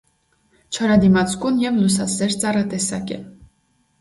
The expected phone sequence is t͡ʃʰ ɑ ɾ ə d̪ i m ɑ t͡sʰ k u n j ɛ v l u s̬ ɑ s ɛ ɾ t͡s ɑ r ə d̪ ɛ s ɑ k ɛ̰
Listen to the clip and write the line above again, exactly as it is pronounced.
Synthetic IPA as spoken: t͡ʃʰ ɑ ɾ ɑ d̪ i m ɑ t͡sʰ k u n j ɛ v l u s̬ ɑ s ɛ ɾ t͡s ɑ r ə t̪ ɛ s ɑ k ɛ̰